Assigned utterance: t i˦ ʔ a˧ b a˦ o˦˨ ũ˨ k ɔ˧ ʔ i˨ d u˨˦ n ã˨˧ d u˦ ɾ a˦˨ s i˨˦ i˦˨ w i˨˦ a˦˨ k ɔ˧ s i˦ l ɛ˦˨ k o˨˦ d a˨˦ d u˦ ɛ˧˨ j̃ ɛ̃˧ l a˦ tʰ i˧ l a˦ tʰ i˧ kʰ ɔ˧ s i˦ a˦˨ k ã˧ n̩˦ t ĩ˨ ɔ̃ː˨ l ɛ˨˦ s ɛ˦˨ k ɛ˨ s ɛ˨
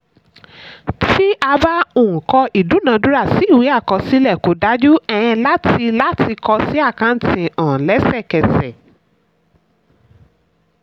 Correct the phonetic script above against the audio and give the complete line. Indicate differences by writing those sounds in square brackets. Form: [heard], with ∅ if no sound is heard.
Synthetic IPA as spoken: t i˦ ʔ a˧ b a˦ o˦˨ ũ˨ k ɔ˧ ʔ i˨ d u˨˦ n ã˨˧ d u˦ ɾ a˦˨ s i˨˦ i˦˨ w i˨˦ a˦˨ k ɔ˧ s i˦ l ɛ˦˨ k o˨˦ d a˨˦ [d͡ʒ] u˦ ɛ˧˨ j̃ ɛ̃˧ l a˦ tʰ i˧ l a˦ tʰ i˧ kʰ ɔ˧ s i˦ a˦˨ k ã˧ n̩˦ t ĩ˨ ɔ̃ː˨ l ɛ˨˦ s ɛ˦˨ k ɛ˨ s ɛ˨